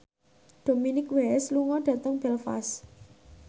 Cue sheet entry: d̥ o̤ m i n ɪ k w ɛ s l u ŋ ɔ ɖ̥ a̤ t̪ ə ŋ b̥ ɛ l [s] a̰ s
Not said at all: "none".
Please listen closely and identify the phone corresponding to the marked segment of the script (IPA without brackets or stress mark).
f